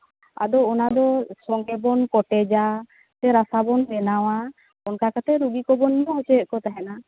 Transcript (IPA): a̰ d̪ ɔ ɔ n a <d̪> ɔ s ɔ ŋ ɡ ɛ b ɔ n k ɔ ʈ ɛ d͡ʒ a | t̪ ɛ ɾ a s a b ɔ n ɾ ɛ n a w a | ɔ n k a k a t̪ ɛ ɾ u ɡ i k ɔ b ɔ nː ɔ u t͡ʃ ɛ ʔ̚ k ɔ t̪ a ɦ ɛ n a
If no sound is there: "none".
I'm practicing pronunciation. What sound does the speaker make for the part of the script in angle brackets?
d̪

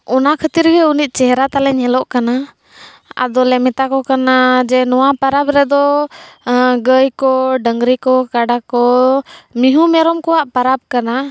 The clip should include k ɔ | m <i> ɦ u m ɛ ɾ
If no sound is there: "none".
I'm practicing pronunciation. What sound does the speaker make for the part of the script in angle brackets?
i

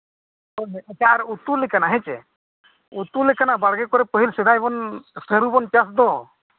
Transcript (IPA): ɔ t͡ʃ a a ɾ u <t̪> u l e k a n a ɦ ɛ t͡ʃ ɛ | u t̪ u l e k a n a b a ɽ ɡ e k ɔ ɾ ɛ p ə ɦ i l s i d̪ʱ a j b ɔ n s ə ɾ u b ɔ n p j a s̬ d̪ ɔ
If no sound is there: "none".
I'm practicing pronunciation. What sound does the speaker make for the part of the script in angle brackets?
t̪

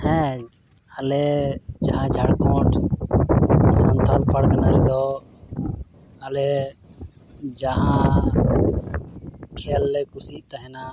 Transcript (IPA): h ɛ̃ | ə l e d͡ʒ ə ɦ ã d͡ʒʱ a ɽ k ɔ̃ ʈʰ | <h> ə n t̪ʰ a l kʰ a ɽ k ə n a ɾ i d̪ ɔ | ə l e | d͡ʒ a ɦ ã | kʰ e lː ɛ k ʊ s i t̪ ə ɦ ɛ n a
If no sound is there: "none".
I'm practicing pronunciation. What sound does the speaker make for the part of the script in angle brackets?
s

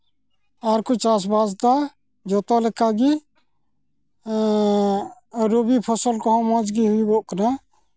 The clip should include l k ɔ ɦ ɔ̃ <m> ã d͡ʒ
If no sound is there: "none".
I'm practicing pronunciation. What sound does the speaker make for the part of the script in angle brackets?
m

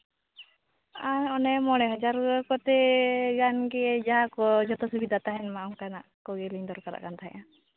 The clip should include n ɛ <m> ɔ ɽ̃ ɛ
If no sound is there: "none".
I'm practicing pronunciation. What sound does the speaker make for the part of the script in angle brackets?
m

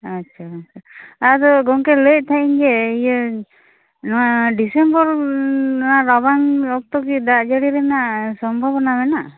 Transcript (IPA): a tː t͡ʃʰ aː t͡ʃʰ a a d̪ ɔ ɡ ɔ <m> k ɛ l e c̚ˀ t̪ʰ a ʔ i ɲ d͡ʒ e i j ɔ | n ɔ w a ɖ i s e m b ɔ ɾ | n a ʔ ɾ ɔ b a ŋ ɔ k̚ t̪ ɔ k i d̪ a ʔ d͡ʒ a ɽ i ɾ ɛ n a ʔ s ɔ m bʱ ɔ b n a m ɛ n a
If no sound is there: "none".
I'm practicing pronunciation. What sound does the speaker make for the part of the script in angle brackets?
ŋ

